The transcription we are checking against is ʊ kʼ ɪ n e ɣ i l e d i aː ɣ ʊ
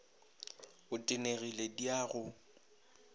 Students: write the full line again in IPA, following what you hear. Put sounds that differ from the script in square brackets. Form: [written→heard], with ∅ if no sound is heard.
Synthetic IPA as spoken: ʊ [kʼ→tʼ] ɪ n e ɣ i l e d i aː ɣ ʊ